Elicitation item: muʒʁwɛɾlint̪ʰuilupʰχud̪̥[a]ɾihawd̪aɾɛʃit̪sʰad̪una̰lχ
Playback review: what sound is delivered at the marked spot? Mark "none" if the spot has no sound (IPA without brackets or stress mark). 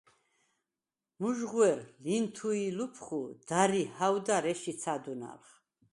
a